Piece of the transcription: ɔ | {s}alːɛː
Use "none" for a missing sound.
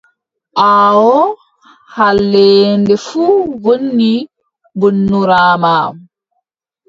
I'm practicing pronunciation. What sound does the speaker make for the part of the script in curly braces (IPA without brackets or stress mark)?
h